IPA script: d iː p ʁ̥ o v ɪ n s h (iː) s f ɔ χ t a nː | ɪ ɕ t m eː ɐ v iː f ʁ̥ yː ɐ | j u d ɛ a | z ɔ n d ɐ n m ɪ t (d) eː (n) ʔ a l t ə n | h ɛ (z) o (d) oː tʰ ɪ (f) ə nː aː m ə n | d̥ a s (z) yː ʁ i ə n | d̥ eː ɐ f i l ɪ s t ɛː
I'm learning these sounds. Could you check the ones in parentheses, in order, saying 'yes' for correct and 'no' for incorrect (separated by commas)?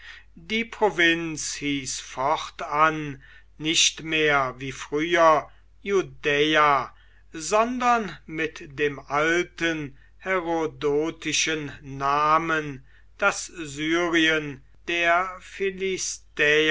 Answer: yes, yes, no, no, yes, no, yes